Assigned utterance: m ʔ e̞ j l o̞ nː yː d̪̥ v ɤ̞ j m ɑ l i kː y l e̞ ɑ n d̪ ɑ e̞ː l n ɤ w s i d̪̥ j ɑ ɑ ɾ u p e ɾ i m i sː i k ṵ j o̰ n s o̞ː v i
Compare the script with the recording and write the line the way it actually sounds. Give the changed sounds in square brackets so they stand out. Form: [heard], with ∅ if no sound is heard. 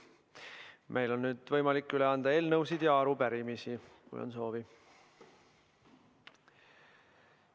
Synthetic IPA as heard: m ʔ e̞ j l o̞ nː yː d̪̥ v ɤ̞ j m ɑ l i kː y l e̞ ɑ n d̪ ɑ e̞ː l n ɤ w s i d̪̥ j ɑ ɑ ɾ u p [æ] ɾ i m i [s] i k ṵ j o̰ n s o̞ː v i